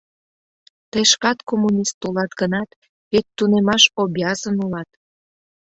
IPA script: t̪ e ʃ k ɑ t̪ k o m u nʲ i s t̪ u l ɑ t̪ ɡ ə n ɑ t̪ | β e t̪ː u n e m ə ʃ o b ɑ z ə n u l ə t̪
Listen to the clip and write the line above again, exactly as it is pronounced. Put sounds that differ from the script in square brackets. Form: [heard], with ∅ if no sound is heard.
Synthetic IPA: t̪ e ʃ k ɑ t̪ k o m u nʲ i s t̪ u l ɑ t̪ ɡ ə n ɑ t̪ | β e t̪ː u n e m [ɑ] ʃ o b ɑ z ə n u l [ɑ] t̪

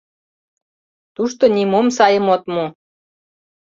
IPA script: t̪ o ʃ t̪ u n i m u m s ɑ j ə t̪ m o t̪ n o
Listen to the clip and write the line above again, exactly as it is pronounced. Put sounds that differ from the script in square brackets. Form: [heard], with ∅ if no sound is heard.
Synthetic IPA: t̪ [u] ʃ t̪ [o] n i m [o] m s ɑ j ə [∅] m o t̪ [m] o

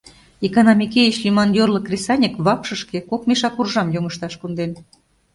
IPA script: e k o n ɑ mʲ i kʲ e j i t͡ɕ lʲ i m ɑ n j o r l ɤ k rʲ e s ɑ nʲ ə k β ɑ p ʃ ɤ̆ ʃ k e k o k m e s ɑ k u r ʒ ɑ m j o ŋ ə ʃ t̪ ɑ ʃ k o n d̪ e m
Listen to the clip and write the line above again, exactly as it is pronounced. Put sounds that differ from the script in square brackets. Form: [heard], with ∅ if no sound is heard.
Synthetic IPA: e k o n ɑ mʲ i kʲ e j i t͡ɕ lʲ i m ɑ n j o r l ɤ k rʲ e s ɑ nʲ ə k β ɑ p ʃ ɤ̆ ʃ k e k o k m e [ʃ] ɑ k u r ʒ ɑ m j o ŋ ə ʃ t̪ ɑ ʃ k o n d̪ e [n]

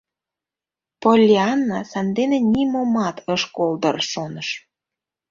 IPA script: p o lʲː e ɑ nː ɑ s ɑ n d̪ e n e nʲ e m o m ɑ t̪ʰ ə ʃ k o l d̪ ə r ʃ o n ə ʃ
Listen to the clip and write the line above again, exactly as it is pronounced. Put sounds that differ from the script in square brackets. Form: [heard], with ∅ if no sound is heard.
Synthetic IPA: p o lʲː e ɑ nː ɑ s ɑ n d̪ e n e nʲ [i] m o m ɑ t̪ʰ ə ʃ k o l d̪ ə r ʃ o n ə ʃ

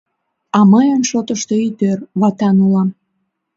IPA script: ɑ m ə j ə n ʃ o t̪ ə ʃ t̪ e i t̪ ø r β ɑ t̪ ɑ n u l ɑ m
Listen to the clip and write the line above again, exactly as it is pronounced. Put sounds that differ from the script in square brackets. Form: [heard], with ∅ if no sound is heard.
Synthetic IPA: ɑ m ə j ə n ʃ o t̪ ə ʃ t̪ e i t̪ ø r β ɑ t̪ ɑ n u l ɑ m

